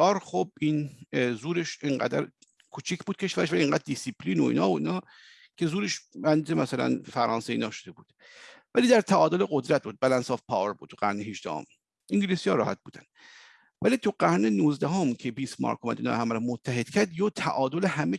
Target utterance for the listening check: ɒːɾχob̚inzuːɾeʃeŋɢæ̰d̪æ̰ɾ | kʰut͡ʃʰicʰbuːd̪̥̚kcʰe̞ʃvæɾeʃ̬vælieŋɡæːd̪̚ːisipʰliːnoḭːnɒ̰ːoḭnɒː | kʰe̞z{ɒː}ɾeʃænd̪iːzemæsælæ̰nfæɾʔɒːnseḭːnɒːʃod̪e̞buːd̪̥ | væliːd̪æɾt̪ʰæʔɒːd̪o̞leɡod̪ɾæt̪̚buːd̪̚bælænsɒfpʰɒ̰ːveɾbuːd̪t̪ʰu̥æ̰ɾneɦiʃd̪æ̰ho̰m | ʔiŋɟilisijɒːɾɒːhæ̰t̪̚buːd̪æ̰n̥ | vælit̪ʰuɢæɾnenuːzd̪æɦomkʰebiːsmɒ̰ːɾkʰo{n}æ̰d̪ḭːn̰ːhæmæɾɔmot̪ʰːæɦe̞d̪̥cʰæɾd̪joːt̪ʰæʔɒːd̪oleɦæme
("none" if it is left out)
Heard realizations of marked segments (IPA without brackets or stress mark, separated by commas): uː, m